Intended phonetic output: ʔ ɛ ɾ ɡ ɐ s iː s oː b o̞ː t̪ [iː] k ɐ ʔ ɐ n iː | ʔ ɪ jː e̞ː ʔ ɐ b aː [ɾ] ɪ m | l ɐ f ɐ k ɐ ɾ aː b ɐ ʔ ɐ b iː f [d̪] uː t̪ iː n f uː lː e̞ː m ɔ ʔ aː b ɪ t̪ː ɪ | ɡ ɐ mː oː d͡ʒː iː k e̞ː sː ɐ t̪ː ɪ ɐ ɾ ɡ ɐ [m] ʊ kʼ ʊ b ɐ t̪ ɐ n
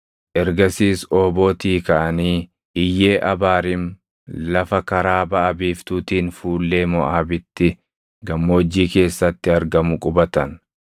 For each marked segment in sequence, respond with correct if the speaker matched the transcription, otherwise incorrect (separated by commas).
correct, correct, incorrect, correct